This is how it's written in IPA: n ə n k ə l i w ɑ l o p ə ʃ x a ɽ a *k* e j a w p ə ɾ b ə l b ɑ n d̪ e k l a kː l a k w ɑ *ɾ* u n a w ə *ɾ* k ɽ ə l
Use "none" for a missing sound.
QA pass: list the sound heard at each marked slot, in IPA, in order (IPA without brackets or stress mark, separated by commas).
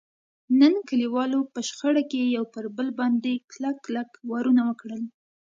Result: k, ɾ, none